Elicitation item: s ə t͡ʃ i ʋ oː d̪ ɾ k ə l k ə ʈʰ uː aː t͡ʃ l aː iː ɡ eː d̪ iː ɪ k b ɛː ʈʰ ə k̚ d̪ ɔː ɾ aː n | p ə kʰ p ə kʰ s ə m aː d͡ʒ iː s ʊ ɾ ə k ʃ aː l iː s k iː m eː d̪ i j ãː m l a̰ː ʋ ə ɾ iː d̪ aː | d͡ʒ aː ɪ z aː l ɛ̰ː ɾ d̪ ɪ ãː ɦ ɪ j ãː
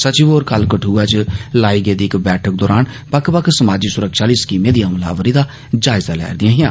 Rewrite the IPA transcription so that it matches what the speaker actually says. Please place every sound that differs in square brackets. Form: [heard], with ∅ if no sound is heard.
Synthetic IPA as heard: s ə t͡ʃ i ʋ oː [∅] ɾ k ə l k ə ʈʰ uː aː t͡ʃ l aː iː ɡ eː d̪ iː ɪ k b ɛː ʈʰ ə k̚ d̪ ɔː ɾ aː n | p ə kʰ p ə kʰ s ə m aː d͡ʒ iː s ʊ ɾ ə k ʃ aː l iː s k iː m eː d̪ i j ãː m l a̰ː ʋ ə ɾ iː d̪ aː | d͡ʒ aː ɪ z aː l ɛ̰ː ɾ d̪ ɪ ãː ɦ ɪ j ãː